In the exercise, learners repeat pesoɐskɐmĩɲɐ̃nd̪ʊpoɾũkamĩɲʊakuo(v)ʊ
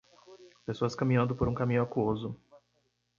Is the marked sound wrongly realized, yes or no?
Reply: yes